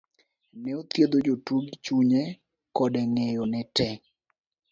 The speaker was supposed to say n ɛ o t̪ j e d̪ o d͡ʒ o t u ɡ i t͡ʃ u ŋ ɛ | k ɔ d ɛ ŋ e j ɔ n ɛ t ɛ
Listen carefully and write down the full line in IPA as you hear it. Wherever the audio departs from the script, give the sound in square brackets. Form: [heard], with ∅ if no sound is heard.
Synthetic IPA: n ɛ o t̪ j e d̪ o d͡ʒ o t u ɡ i t͡ʃ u [ɲ] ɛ | k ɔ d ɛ ŋ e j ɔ n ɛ t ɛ